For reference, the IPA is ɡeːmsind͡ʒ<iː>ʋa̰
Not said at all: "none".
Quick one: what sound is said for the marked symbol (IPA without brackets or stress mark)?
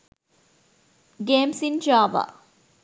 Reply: aː